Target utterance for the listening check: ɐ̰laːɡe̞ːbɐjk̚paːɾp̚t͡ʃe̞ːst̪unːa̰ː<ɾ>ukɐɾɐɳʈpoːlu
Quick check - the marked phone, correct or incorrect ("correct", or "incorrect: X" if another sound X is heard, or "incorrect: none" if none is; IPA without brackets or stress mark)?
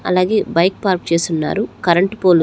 correct